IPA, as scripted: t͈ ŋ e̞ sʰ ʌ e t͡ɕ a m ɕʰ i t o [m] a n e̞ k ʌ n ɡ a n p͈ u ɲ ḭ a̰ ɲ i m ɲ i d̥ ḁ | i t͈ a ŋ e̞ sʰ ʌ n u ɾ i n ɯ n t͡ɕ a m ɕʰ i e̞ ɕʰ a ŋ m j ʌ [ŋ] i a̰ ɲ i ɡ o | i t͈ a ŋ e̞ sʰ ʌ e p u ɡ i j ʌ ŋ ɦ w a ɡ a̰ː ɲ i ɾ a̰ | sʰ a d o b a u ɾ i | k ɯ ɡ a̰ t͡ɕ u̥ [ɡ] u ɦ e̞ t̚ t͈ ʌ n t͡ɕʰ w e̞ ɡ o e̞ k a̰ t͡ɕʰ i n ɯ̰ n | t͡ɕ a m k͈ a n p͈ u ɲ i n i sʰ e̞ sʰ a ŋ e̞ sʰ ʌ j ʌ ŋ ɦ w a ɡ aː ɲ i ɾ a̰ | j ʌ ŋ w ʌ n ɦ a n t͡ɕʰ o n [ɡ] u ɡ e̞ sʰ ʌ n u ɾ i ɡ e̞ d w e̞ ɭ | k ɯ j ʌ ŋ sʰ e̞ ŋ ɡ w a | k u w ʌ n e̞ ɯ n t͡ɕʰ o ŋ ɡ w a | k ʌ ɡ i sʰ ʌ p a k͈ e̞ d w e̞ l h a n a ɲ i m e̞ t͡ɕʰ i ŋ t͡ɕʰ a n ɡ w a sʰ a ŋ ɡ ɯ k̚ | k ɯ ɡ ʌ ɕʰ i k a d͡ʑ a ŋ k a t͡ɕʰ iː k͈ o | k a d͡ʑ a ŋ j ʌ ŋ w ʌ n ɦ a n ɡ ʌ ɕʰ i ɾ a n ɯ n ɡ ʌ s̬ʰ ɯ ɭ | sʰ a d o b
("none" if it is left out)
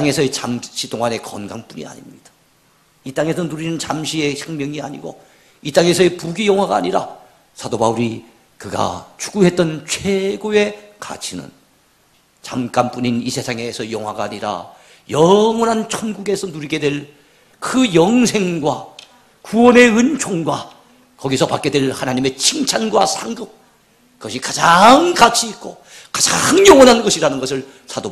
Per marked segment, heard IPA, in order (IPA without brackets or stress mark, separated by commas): ŋ, ŋ, ɡ, ɡ